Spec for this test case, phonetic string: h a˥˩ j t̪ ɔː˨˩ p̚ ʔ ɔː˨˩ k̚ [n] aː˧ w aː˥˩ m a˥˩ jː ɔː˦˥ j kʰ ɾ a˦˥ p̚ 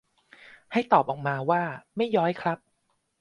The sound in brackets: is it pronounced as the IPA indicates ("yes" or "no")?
no